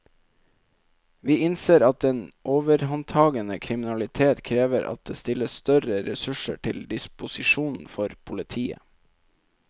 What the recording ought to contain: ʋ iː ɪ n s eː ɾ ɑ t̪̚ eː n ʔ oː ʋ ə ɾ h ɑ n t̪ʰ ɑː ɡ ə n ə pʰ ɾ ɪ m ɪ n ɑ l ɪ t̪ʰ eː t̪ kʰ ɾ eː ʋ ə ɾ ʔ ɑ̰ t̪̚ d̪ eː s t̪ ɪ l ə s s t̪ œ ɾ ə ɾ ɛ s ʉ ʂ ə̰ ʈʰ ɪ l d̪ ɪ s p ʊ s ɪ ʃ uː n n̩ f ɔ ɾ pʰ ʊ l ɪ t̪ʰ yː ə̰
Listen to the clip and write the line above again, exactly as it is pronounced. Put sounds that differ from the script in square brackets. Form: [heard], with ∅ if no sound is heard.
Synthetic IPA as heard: ʋ iː ɪ n s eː ɾ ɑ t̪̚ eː n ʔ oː ʋ ə ɾ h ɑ n t̪ʰ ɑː ɡ ə n ə [kʰ] ɾ ɪ m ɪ n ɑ l ɪ t̪ʰ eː t̪ kʰ ɾ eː ʋ ə ɾ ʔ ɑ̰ t̪̚ d̪ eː s t̪ ɪ l ə s s t̪ œ ɾ ə ɾ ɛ s ʉ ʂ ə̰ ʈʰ ɪ l d̪ ɪ s p ʊ s ɪ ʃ uː n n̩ f ɔ ɾ pʰ ʊ l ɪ t̪ʰ [iː] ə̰